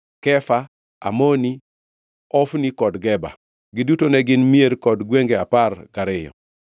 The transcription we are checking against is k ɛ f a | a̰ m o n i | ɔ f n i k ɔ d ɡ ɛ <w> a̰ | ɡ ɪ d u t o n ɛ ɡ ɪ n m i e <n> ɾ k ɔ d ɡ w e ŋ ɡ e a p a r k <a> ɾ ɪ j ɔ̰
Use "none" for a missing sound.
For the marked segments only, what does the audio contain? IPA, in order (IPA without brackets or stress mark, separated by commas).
b, none, a